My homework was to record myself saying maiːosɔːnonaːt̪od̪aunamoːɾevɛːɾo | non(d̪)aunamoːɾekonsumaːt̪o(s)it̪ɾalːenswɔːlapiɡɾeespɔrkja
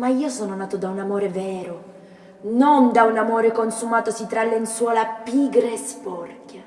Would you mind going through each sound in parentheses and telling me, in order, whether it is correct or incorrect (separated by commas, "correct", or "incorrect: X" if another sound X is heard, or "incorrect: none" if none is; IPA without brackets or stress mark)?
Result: correct, correct